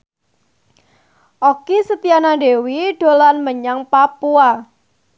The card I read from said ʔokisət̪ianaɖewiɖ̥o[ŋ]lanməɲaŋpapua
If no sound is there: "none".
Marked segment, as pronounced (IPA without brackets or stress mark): none